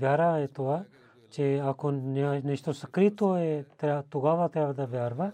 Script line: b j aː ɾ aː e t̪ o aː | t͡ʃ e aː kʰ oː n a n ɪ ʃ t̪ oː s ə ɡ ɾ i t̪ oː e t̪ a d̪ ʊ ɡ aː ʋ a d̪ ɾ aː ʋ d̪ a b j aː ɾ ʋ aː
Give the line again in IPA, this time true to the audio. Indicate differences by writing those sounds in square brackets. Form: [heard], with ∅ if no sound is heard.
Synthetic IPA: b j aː ɾ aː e t̪ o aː | t͡ʃ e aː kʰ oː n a n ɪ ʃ t̪ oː s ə [k] ɾ i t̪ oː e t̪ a [t̪] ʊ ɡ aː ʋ a [t̪] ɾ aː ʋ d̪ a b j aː ɾ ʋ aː